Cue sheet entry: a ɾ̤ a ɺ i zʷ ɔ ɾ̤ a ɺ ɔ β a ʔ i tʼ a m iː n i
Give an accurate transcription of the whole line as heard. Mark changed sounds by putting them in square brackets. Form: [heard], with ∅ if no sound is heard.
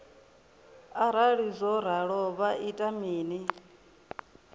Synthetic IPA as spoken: a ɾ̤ a ɺ i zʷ ɔ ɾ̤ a ɺ ɔ β a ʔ i tʼ a m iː n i